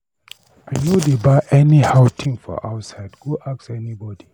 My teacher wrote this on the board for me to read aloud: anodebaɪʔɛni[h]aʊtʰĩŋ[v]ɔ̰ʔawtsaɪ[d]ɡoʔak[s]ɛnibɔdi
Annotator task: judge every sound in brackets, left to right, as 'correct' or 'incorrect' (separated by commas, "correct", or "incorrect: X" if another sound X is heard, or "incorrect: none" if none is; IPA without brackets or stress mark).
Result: correct, incorrect: f, correct, correct